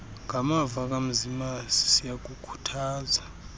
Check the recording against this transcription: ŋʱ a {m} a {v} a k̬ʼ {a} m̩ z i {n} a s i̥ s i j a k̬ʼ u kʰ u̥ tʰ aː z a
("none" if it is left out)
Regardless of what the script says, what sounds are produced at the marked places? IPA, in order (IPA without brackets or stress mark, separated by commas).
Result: m, v, a, m